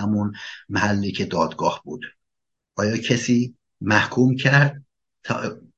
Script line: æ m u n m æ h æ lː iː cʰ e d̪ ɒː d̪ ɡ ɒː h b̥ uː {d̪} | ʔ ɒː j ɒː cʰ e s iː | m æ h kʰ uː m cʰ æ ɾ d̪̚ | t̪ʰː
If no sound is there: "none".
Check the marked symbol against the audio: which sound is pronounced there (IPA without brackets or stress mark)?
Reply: d̪